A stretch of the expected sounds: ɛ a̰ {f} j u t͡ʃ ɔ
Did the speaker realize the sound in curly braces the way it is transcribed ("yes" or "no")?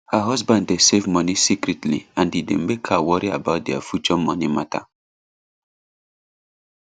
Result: yes